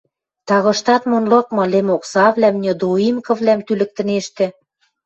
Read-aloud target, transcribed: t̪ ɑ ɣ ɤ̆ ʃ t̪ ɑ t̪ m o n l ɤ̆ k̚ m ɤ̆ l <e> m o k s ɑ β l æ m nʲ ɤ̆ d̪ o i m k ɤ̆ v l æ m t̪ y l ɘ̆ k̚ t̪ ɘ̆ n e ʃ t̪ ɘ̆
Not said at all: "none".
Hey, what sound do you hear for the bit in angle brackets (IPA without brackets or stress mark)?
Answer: e